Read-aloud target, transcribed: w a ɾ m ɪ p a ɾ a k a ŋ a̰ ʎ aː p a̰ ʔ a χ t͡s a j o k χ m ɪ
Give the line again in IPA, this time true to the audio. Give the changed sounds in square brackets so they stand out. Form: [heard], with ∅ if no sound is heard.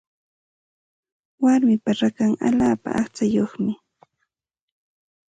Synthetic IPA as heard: w a ɾ m ɪ p a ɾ a k a ŋ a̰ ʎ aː p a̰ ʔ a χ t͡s a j o [∅] χ m ɪ